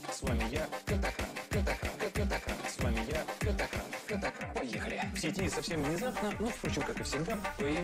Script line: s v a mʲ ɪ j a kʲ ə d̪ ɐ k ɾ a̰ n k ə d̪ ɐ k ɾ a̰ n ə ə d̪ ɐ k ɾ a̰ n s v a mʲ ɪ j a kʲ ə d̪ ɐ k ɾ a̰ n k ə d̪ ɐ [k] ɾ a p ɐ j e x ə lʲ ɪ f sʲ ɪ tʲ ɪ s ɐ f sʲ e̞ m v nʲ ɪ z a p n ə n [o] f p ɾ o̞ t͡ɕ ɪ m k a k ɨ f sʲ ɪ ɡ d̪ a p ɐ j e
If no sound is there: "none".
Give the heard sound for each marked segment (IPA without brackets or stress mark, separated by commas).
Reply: k, o